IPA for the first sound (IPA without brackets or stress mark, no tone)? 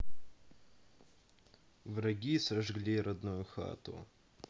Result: v